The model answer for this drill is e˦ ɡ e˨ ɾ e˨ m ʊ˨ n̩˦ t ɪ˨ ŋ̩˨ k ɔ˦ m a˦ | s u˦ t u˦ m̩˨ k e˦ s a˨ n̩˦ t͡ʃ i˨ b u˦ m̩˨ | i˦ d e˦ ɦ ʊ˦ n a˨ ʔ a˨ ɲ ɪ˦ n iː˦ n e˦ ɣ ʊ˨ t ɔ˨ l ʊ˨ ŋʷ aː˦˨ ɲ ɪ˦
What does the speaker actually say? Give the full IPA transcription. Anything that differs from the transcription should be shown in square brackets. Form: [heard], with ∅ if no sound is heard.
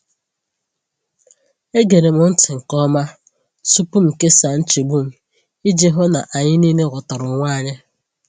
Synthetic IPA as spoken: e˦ ɡ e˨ ɾ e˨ m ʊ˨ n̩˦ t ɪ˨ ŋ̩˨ k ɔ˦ m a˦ | s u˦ [p] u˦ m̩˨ k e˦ s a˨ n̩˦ t͡ʃ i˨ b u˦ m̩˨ | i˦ [d͡ʒ] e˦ ɦ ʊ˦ n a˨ ʔ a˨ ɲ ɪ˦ n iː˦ n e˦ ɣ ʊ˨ t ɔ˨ [ɾ] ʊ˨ ŋʷ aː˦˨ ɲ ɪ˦